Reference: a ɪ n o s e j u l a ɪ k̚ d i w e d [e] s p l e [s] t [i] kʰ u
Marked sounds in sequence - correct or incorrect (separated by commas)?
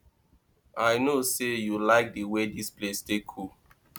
incorrect, correct, incorrect